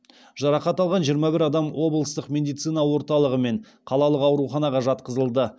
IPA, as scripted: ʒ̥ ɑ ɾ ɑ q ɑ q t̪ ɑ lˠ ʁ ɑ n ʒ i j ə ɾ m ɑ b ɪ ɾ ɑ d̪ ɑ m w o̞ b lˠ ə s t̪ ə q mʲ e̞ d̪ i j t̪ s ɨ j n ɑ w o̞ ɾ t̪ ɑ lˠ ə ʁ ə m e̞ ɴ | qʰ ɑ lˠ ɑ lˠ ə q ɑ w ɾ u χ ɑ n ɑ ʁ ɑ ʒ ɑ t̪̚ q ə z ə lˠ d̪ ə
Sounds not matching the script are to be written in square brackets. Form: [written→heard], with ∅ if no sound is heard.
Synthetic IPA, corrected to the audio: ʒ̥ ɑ ɾ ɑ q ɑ [q→∅] t̪ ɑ lˠ ʁ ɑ n ʒ i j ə ɾ m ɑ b ɪ ɾ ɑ d̪ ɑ m w o̞ b lˠ ə s t̪ ə q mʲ e̞ d̪ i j t̪ s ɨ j n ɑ w o̞ ɾ t̪ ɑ lˠ ə ʁ ə m e̞ ɴ | qʰ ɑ lˠ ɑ lˠ ə q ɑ w ɾ u χ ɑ n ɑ ʁ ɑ ʒ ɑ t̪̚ q ə z ə lˠ d̪ ə